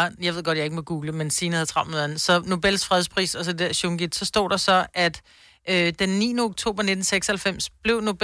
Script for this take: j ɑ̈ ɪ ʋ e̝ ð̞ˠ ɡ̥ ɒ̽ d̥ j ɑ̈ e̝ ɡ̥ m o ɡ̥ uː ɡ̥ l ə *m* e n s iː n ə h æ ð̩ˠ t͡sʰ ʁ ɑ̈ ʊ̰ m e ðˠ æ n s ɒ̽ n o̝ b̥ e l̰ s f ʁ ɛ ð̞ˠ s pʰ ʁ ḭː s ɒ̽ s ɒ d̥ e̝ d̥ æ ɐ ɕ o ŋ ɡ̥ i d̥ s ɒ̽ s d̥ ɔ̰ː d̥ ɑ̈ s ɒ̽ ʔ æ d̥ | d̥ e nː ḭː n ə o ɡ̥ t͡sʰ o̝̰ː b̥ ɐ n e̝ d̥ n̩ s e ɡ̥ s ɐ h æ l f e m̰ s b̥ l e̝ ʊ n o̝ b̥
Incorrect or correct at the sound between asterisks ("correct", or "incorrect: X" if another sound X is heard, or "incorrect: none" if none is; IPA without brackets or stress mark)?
correct